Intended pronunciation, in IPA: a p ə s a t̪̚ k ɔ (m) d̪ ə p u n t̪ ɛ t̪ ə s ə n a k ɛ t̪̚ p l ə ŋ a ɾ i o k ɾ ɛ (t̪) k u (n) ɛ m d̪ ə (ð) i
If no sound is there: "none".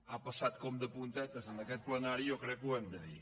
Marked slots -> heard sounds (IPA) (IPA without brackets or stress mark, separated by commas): m, none, none, ð